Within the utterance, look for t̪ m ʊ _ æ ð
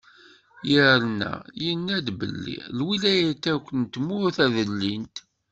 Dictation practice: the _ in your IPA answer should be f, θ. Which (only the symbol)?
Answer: θ